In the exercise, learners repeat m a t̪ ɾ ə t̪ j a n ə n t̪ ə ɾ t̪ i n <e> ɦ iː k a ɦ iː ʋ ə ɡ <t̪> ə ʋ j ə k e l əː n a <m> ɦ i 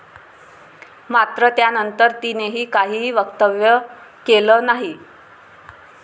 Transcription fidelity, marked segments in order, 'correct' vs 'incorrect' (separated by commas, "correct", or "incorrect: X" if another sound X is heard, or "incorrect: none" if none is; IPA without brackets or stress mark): correct, correct, incorrect: none